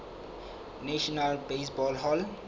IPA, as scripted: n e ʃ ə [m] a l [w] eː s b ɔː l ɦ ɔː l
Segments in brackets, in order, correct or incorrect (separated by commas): incorrect, incorrect